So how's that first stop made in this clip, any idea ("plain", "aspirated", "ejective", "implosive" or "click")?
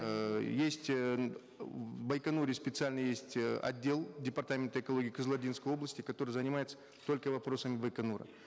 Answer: plain